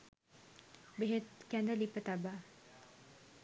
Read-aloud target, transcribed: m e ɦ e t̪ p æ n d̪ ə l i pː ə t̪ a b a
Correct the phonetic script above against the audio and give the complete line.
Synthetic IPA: b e ɦ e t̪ k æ n d̪ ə l i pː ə t̪ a b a